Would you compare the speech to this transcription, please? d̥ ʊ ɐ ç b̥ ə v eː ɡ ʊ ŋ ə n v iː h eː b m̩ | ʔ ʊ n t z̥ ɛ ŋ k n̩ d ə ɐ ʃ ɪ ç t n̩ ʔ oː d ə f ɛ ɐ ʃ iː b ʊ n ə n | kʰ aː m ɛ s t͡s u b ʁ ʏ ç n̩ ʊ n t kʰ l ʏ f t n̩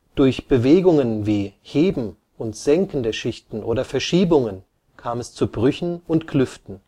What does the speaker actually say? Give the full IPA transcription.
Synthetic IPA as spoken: d̥ ʊ ɐ ç b̥ ə v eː ɡ ʊ ŋ ə n v iː h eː b m̩ | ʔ ʊ n t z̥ ɛ ŋ k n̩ d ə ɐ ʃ ɪ ç t n̩ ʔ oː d ɐ f ɛ ɐ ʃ iː b ʊ ŋ ə n | kʰ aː m ɛ s t͡s u b ʁ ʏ ç n̩ ʊ n t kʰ l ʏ f t n̩